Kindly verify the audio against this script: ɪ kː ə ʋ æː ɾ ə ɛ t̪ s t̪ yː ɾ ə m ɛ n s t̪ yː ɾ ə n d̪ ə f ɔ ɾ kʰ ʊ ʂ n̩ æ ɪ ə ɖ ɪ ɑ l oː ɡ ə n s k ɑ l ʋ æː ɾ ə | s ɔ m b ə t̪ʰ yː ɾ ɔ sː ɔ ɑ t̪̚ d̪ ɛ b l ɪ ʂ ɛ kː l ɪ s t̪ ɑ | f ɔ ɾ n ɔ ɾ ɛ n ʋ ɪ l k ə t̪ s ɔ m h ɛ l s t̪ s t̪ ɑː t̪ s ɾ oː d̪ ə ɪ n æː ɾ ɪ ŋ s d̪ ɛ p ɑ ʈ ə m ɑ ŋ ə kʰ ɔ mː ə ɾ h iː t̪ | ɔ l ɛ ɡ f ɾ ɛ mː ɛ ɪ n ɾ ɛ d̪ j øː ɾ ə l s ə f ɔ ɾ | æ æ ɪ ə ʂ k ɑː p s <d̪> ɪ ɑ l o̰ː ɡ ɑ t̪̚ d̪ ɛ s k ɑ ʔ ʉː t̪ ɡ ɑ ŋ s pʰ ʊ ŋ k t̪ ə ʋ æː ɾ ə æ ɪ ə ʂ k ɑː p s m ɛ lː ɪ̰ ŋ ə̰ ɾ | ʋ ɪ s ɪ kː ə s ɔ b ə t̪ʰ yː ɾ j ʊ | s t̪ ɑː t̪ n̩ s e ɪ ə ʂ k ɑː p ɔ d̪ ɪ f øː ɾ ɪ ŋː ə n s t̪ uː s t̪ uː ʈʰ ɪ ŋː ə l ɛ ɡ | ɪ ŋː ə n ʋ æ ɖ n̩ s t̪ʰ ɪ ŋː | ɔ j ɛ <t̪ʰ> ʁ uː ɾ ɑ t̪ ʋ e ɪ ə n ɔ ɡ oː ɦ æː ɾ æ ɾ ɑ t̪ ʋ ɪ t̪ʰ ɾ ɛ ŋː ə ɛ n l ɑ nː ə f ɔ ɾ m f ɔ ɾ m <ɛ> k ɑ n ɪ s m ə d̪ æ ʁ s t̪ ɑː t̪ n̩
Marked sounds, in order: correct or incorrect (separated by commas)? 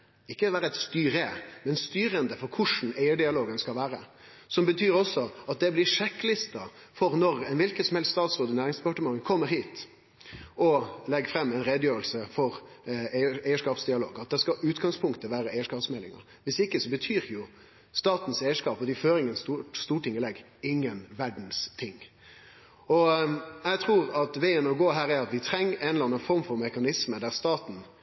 correct, correct, correct